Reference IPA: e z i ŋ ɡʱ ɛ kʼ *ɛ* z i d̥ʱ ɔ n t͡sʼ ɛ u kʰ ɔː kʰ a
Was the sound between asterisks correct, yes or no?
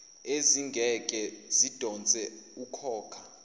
yes